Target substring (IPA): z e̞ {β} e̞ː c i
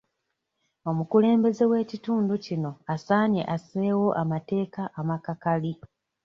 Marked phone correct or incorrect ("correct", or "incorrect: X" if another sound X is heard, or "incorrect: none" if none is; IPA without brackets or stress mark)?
incorrect: w